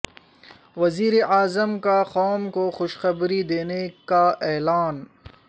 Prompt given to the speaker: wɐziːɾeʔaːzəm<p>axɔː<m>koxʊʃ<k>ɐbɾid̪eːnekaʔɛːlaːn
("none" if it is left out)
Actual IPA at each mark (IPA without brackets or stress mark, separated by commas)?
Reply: k, m, x